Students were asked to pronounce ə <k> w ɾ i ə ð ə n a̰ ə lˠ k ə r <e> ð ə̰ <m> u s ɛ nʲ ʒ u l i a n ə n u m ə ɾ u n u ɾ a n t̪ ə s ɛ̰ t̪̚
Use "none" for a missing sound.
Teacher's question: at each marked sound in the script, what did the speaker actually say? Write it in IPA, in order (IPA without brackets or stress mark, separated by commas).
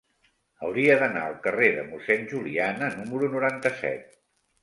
none, e, m